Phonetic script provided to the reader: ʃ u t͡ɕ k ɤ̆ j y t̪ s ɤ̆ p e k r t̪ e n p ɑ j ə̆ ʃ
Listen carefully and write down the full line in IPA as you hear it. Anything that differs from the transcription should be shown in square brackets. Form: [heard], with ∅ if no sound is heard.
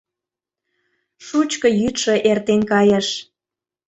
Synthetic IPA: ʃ u t͡ɕ k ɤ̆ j y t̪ [ʃ] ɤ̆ [ʔ] e [∅] r t̪ e n [k] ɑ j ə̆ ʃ